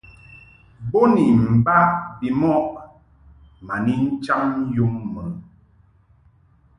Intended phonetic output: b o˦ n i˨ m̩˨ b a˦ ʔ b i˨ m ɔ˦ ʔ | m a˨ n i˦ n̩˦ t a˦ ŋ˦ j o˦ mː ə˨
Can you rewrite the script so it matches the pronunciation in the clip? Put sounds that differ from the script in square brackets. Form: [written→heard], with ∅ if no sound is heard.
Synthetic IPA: b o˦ n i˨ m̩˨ b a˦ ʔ b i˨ m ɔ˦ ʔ | m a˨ n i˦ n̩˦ [t→t͡ʃ] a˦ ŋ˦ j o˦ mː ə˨